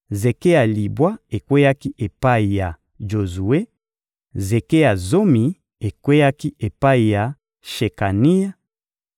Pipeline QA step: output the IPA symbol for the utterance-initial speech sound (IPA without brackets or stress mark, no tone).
z